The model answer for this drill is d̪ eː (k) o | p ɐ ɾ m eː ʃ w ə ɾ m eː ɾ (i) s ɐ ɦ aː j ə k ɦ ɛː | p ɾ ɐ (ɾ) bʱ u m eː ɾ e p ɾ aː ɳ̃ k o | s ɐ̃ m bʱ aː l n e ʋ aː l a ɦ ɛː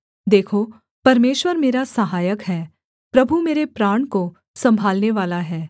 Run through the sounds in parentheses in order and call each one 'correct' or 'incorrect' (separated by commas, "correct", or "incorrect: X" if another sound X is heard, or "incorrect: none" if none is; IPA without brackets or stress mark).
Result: incorrect: kʰ, incorrect: a, incorrect: none